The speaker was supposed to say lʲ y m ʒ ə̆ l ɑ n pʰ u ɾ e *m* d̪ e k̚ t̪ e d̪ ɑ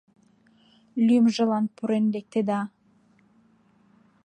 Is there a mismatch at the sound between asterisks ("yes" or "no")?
yes